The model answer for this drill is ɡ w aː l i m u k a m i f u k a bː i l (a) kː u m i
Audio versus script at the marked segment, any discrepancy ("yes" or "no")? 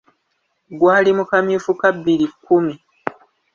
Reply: yes